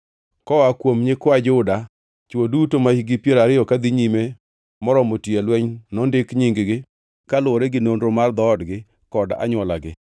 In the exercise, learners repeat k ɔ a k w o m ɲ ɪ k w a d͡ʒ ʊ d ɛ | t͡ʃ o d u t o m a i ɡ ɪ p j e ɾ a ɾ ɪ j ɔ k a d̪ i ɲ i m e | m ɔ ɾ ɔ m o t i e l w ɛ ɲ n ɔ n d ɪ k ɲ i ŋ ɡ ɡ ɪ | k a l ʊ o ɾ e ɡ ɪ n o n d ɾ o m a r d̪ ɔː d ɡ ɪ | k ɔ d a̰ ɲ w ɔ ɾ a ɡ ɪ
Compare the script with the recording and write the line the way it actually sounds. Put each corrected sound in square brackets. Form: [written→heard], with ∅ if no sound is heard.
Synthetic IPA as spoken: k ɔ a k w o m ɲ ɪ k w a d͡ʒ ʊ d [ɛ→a] | t͡ʃ o d u t o m a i ɡ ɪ p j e ɾ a ɾ ɪ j ɔ k a d̪ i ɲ i m e | m ɔ ɾ ɔ m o t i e l w ɛ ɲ n ɔ n d ɪ k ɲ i ŋ ɡ ɡ ɪ | k a l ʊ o ɾ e ɡ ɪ n o n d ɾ o m a r d̪ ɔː d ɡ ɪ | k ɔ d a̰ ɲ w ɔ [ɾ→l] a ɡ ɪ